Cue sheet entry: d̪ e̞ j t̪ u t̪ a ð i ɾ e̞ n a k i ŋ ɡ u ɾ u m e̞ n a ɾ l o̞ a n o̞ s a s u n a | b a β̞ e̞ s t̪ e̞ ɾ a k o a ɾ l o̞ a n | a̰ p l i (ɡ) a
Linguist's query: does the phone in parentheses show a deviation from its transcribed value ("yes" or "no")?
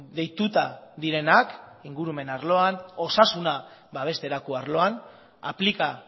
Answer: yes